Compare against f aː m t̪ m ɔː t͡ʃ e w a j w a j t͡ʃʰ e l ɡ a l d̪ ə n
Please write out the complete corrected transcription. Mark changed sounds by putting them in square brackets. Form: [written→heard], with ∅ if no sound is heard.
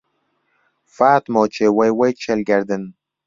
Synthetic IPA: f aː [m→∅] t̪ m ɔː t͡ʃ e w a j w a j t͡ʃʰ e l ɡ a [l→ɾ] d̪ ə n

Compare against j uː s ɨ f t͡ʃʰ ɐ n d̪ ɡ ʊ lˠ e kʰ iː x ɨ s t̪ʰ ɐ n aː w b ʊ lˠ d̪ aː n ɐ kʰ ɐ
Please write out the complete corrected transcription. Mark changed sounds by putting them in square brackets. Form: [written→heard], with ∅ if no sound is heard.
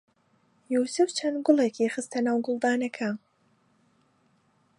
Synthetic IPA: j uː s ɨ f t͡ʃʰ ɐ n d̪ ɡ ʊ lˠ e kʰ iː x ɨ s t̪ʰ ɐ n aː w [b→ɡ] ʊ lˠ d̪ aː n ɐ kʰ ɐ

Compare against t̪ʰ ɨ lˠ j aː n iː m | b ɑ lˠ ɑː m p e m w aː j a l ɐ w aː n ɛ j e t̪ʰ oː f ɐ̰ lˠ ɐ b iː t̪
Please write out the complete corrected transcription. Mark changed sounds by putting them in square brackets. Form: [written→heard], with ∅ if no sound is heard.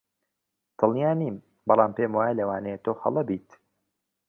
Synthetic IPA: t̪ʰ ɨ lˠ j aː n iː m | b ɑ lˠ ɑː m p e m w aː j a l ɐ w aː n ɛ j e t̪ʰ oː [f→x] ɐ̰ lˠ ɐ b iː t̪

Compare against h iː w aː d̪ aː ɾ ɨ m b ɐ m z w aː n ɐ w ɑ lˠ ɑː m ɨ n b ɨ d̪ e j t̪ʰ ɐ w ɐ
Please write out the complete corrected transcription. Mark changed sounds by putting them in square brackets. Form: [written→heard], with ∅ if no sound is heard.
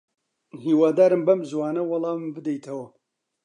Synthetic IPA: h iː w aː d̪ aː ɾ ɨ m b ɐ m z w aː n ɐ w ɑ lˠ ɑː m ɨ [n→m] b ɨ d̪ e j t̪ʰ ɐ w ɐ

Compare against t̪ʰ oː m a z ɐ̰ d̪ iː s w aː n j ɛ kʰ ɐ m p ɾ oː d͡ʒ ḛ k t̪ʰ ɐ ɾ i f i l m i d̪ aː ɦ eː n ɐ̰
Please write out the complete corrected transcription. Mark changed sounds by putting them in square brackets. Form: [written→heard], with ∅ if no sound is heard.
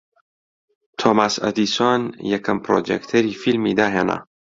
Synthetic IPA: t̪ʰ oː m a [z→s] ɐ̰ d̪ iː s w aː n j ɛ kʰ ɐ m p ɾ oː d͡ʒ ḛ k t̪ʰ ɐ ɾ i f i l m i d̪ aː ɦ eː n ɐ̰

